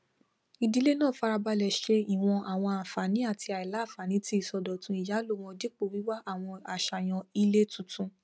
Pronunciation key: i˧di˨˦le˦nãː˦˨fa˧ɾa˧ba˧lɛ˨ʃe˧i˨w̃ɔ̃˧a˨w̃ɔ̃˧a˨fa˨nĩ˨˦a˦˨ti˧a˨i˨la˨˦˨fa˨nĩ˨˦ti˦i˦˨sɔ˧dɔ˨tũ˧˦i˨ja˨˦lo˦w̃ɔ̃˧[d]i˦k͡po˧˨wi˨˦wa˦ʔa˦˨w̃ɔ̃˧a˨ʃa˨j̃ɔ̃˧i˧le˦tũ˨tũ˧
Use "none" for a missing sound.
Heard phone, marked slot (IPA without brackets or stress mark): d